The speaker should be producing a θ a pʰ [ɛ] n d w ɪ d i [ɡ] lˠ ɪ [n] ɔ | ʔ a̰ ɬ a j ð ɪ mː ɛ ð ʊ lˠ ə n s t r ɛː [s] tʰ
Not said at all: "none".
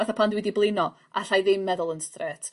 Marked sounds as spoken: a, b, n, none

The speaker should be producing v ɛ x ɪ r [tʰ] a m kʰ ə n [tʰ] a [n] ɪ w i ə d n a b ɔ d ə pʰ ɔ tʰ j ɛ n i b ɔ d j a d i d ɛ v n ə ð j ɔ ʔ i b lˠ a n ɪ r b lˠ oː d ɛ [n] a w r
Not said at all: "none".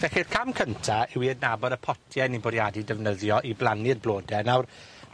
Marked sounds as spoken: kʰ, tʰ, none, n

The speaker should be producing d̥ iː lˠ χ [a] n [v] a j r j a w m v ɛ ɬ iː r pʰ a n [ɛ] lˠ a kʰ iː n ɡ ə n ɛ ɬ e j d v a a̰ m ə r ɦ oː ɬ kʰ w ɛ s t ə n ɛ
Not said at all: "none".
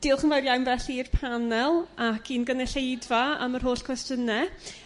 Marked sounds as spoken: ə, v, ɛ

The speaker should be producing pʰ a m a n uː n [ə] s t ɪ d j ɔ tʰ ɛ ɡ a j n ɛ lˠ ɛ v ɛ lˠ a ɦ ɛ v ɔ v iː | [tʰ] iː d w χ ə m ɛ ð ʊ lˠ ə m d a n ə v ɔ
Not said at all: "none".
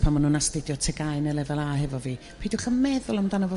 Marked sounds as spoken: a, pʰ

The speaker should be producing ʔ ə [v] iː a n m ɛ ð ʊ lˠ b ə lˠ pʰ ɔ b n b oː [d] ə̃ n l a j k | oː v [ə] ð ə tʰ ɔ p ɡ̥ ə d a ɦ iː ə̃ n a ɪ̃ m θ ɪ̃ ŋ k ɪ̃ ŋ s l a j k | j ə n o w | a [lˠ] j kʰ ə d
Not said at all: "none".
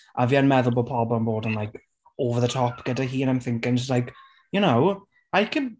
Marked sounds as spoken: v, d, ə, none

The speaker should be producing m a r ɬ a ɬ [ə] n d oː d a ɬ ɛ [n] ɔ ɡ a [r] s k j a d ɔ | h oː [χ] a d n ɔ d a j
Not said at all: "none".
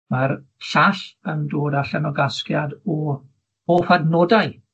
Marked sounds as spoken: ə, n, none, f

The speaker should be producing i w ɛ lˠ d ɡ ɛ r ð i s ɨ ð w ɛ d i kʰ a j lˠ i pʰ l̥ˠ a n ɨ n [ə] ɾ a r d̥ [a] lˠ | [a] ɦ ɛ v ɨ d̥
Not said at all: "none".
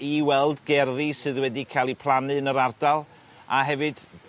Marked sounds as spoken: ə, a, a

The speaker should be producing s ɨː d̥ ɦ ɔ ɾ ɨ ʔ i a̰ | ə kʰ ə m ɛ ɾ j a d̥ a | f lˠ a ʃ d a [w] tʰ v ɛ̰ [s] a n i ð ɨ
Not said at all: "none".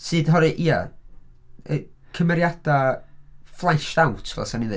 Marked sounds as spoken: w, s

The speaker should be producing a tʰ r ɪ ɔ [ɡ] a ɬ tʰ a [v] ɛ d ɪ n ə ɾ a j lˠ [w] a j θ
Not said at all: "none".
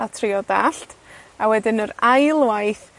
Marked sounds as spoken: d, w, w

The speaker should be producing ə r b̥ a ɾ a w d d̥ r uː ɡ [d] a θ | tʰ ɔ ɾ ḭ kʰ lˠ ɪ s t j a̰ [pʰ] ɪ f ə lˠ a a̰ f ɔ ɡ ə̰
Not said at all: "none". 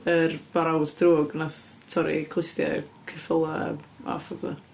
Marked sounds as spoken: n, kʰ

